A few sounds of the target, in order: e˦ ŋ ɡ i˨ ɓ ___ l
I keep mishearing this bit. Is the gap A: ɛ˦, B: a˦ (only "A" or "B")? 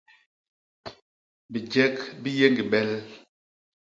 A